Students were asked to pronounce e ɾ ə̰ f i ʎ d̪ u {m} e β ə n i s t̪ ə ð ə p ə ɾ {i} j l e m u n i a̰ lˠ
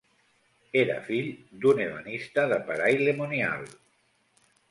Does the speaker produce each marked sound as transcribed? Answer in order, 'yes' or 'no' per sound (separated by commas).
no, no